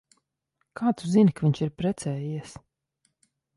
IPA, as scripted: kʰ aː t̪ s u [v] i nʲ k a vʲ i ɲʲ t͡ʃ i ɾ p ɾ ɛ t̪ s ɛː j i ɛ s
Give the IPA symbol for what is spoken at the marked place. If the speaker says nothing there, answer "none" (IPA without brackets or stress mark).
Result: z